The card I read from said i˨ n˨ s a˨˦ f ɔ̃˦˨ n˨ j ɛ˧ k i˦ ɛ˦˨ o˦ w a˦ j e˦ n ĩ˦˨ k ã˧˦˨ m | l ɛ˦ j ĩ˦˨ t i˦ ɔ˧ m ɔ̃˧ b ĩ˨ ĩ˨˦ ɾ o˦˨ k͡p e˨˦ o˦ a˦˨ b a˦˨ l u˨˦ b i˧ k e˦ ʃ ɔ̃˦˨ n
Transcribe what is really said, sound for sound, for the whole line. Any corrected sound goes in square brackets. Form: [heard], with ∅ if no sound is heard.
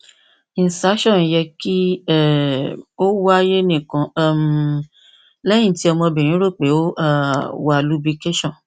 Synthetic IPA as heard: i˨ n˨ s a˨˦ [ʃ] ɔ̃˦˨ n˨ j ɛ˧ k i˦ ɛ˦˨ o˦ w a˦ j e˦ n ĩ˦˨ k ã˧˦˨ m | l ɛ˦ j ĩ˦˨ t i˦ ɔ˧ m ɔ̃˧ b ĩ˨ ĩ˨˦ ɾ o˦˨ k͡p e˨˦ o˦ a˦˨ [w] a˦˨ l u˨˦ b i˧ k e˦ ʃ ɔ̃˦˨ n